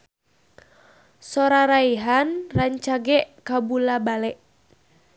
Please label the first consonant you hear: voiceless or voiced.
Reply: voiceless